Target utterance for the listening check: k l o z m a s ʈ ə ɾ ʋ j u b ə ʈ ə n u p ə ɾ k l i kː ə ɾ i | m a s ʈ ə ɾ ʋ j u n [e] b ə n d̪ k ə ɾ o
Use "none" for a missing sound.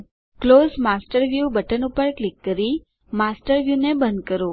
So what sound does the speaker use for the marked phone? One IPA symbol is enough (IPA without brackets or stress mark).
e